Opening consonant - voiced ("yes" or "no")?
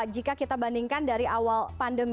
yes